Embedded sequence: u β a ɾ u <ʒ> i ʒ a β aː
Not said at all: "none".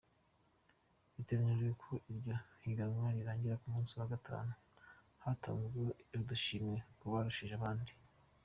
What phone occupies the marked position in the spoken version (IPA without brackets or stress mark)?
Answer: ʃ